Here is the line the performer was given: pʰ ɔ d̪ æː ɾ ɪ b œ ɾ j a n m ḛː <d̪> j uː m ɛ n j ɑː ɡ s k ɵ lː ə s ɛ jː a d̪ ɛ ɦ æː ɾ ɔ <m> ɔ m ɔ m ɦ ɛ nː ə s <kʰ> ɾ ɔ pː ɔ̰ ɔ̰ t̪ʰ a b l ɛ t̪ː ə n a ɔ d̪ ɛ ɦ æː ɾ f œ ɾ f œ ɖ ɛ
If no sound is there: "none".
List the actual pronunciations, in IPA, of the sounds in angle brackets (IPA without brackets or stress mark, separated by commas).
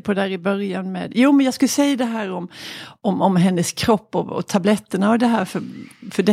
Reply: d̪, m, kʰ